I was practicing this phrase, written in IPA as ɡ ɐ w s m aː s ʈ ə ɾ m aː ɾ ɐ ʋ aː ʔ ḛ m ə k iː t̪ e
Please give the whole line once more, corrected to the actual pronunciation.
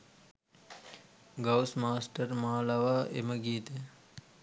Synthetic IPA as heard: ɡ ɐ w s m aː s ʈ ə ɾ m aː l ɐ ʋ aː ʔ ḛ m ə ɡ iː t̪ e